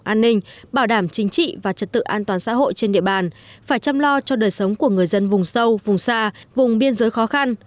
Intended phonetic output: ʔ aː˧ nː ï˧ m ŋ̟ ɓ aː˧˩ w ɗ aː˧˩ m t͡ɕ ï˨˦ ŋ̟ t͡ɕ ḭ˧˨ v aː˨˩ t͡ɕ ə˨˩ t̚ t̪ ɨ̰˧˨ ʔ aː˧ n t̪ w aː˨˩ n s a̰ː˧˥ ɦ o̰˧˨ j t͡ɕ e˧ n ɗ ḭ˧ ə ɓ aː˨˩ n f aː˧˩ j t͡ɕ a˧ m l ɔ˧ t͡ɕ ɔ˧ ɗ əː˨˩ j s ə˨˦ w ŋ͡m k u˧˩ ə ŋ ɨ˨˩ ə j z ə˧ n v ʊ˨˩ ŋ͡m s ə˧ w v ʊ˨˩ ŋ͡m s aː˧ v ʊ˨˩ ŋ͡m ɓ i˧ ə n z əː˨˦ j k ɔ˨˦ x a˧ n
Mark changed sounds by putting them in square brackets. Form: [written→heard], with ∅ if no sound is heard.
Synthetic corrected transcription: ʔ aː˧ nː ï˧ [m→∅] ŋ̟ ɓ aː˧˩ w ɗ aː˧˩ m t͡ɕ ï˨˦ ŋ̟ t͡ɕ ḭ˧˨ v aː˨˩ t͡ɕ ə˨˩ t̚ t̪ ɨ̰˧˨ ʔ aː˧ n t̪ w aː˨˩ n s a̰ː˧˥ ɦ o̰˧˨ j t͡ɕ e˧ n ɗ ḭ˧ ə ɓ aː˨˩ n f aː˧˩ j t͡ɕ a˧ m l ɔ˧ t͡ɕ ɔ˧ ɗ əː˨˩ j s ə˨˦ w ŋ͡m k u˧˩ ə ŋ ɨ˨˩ ə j z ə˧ n v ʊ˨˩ ŋ͡m s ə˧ w v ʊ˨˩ ŋ͡m s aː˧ v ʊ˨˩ ŋ͡m ɓ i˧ ə n z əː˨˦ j [k→x] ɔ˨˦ x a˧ n